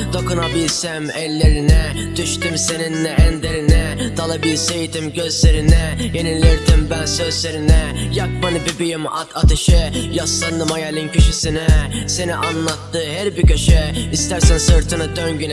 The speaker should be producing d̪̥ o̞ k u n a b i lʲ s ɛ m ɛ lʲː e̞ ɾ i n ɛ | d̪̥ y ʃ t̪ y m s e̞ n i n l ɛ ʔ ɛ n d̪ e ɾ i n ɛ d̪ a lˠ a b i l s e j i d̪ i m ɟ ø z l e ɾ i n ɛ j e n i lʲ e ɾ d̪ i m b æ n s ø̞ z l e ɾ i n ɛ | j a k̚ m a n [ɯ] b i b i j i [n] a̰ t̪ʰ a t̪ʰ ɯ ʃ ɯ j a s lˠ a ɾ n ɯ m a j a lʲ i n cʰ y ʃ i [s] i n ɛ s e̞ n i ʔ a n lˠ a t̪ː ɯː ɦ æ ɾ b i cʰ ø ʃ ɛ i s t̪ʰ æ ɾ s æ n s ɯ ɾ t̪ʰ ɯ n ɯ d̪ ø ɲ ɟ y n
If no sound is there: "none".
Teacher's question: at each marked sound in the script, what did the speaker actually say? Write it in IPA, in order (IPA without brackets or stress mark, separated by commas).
ɯ, m, s